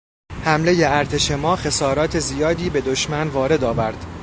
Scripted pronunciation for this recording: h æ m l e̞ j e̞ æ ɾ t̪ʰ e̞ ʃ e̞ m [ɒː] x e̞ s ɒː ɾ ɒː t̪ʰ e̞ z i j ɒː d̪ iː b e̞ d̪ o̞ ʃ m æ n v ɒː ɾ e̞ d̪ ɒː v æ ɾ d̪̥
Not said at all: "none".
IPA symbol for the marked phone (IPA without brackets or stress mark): ɒː